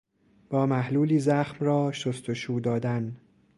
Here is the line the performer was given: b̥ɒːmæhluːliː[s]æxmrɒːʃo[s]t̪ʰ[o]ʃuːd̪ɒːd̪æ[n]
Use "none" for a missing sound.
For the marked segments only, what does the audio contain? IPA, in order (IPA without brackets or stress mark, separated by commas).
z, s, o, n